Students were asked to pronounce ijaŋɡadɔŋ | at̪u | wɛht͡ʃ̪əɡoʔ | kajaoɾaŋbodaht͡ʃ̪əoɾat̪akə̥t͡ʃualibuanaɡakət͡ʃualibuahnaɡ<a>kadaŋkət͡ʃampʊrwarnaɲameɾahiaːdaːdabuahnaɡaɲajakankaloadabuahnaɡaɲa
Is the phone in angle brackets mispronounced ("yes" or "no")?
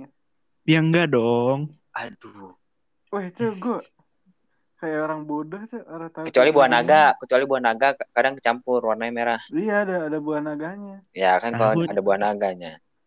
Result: no